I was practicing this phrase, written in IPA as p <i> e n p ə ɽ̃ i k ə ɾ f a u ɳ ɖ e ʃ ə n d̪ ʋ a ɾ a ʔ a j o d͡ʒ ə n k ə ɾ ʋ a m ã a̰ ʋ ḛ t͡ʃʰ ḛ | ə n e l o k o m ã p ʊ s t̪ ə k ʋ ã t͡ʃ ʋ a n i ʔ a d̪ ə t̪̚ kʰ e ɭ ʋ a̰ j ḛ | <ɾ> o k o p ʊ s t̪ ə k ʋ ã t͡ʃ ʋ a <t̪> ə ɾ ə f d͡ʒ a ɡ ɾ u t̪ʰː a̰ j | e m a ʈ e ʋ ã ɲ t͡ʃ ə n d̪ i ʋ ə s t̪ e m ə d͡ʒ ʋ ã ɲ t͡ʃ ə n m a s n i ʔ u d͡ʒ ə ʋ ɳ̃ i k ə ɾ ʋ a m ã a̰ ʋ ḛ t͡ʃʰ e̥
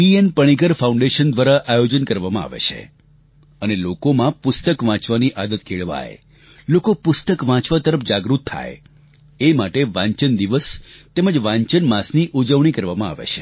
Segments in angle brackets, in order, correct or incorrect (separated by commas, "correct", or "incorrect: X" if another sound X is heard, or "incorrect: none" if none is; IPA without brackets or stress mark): correct, incorrect: l, correct